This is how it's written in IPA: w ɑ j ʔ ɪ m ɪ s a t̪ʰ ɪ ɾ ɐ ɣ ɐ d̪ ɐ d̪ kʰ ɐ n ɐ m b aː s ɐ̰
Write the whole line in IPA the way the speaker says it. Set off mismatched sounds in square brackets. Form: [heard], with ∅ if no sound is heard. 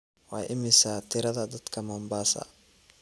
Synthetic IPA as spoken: w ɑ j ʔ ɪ m ɪ s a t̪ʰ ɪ ɾ ɐ [ð] ɐ d̪ ɐ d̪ kʰ ɐ [m] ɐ m b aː s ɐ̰